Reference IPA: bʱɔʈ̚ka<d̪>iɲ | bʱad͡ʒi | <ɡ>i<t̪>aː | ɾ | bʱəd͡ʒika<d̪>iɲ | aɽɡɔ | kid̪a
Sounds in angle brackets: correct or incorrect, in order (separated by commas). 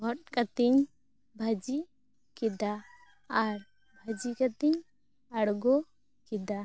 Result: incorrect, incorrect, incorrect, incorrect